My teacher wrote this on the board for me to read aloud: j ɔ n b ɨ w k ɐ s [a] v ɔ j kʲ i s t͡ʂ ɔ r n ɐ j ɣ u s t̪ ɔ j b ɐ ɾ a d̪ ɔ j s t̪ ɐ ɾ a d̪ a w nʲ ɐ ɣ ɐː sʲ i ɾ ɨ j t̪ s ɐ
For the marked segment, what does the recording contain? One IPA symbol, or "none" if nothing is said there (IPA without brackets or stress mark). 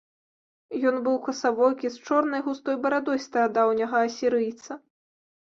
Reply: a